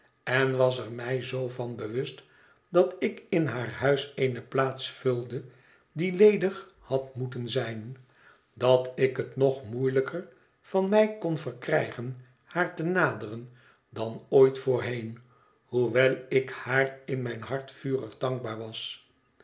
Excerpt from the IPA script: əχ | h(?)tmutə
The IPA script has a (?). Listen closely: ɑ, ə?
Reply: ɑ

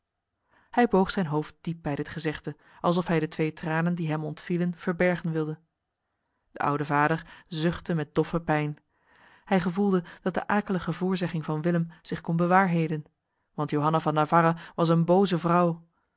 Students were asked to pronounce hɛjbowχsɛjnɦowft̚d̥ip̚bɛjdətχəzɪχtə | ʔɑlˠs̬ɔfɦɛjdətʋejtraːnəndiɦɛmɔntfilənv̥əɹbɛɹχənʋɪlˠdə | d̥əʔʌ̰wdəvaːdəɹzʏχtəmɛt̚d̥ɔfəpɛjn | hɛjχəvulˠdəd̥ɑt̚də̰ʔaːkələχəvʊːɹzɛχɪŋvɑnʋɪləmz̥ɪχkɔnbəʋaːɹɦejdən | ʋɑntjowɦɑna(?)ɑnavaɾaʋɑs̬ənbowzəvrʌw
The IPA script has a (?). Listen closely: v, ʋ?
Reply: v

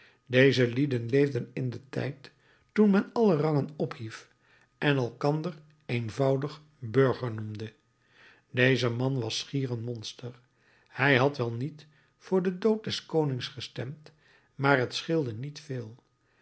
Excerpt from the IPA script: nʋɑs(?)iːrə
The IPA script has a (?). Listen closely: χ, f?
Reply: χ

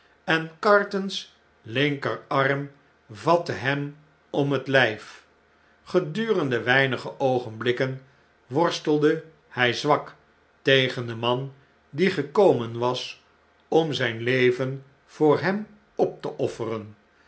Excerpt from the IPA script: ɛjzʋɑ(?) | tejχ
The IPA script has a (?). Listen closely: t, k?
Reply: k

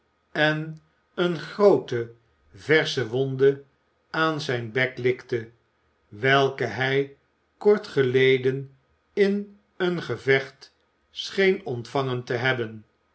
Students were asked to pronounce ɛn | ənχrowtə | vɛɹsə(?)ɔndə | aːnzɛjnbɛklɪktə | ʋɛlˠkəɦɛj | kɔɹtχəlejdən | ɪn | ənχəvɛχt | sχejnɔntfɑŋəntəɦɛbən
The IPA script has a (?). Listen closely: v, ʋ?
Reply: ʋ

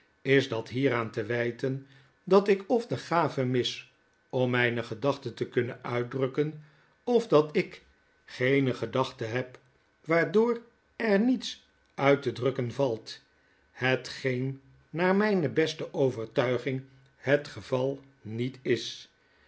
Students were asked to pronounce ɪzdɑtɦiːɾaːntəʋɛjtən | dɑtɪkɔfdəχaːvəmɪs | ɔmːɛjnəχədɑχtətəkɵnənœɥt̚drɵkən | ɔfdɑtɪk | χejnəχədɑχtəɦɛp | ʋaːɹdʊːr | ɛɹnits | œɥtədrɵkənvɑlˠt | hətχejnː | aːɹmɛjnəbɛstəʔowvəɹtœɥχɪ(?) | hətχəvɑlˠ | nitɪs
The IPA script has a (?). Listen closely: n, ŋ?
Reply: ŋ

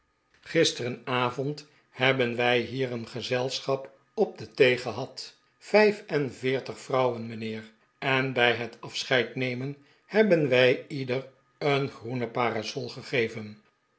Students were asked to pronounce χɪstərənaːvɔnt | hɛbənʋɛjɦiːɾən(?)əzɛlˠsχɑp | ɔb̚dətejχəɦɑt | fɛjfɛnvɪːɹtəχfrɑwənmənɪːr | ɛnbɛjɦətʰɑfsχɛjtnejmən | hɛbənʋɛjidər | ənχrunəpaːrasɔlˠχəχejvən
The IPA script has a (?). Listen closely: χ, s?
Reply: χ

